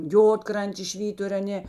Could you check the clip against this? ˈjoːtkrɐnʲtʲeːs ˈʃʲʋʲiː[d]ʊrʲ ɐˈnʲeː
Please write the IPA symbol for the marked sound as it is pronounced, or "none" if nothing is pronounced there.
t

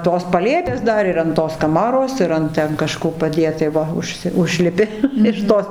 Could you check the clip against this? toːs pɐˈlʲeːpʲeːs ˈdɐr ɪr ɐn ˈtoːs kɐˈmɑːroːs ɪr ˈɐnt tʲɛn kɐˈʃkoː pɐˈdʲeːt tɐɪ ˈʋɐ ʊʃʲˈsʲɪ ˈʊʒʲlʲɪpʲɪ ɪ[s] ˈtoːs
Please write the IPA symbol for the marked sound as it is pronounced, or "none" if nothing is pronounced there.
ʃ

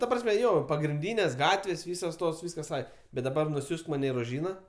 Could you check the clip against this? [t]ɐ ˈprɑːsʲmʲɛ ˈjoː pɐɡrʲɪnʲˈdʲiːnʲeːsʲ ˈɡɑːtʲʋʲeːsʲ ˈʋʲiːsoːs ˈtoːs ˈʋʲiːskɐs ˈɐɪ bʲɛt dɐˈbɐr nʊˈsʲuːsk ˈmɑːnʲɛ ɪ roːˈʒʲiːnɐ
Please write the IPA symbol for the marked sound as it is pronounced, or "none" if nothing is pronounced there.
t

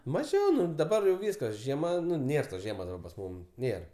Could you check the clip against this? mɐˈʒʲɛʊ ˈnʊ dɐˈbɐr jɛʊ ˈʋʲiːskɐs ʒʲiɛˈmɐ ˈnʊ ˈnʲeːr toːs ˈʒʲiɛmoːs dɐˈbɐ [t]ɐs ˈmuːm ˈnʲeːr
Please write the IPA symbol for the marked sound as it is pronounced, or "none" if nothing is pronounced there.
p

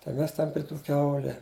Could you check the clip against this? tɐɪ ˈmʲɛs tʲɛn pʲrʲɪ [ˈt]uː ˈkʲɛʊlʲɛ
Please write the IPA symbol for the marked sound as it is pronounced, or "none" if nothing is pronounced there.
t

